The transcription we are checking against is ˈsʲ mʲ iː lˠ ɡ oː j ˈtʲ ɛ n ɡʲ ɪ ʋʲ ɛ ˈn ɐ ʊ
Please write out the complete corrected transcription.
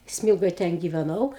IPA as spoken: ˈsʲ mʲ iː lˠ ɡ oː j ˈtʲ ɛ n ɡʲ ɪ ʋʲ ɛ ˈn ɐ ʊ